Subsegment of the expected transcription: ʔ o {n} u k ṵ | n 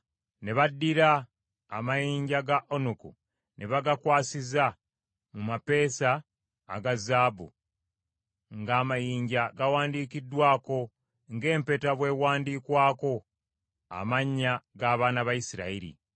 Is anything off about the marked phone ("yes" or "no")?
no